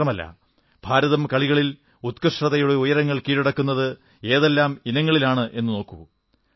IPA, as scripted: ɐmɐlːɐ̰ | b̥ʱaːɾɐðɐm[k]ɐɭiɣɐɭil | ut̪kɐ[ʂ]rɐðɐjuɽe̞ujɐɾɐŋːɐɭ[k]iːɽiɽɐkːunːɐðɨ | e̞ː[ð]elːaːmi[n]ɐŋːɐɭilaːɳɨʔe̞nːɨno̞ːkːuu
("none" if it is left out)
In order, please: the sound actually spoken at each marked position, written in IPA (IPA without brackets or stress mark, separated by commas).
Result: k, ʂ, k, ð, n